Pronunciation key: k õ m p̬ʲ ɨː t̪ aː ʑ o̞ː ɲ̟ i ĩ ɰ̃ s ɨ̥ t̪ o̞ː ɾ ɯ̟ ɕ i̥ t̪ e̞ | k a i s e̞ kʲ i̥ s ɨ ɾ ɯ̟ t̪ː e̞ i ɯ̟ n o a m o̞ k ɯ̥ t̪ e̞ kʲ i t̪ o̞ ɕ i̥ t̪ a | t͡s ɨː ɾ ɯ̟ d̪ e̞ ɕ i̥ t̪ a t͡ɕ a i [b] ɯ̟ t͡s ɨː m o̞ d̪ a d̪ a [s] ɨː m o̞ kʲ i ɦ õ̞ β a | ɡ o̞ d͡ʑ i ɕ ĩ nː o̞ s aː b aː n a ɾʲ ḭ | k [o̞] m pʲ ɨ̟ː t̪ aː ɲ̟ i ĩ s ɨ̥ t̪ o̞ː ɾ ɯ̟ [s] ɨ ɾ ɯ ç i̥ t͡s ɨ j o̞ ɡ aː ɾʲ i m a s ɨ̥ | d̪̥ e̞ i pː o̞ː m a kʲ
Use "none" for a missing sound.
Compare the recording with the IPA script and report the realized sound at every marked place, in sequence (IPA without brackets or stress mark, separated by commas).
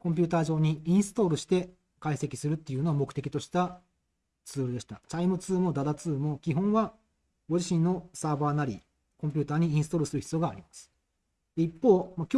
m, t͡s, õ̞, s